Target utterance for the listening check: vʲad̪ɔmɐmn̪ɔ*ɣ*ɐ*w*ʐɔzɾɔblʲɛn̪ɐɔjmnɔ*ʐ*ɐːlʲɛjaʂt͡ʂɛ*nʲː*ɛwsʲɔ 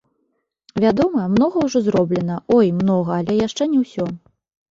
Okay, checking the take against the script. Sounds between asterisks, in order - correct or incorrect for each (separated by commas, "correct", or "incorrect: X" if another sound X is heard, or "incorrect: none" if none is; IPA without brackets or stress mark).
correct, correct, incorrect: ɣ, incorrect: nʲ